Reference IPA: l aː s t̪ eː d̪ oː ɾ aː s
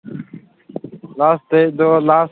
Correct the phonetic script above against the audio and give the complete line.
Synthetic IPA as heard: l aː s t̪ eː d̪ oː l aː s